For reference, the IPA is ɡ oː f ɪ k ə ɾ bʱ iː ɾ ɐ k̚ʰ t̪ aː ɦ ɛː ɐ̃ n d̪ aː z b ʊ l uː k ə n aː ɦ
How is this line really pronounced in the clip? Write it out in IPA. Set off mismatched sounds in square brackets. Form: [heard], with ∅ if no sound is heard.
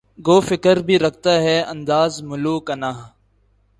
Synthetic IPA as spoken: ɡ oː f ɪ k ə ɾ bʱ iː ɾ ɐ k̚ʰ t̪ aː ɦ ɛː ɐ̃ n d̪ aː z [m] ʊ l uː k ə n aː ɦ